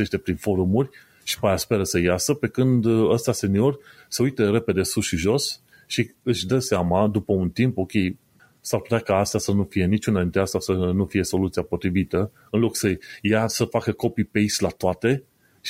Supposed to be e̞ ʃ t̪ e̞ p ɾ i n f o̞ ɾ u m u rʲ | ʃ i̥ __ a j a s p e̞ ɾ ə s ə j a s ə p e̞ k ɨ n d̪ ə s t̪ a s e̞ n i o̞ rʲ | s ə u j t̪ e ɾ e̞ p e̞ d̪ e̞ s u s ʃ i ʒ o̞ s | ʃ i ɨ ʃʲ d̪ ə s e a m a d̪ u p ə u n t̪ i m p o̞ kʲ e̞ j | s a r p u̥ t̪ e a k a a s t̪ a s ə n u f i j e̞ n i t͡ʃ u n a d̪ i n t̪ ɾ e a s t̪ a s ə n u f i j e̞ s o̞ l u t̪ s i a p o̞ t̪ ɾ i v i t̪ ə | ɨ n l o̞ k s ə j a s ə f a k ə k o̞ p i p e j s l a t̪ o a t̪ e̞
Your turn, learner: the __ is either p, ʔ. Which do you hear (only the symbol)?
p